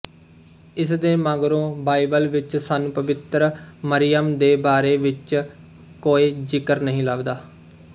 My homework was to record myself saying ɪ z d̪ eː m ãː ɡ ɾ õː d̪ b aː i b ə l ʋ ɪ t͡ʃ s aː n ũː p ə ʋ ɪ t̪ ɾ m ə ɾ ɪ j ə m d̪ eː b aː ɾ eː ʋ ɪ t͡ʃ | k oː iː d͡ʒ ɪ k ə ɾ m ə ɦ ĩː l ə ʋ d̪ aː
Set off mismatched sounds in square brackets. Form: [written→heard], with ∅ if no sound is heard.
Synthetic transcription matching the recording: ɪ [z→s] d̪ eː m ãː ɡ ɾ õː [d̪→∅] b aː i b ə l ʋ ɪ t͡ʃ s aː n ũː p ə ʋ ɪ t̪ ɾ m ə ɾ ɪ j ə m d̪ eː b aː ɾ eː ʋ ɪ t͡ʃ | k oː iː d͡ʒ ɪ k ə ɾ [m→n] ə ɦ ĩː l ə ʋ d̪ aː